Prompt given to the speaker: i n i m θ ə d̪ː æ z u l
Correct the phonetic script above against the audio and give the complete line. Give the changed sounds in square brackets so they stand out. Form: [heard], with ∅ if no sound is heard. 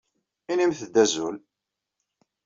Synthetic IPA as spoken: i n i m θ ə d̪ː æ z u l